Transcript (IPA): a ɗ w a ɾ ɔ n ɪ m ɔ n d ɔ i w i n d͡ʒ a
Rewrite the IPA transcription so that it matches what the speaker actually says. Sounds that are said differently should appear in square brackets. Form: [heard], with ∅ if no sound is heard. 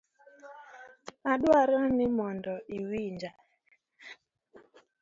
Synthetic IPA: a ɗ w a ɾ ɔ n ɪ m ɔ n d ɔ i w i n d͡ʒ a